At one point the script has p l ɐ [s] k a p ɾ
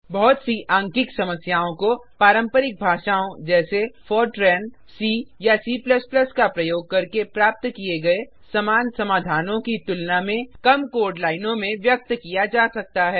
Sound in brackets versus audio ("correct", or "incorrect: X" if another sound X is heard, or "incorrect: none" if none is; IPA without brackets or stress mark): correct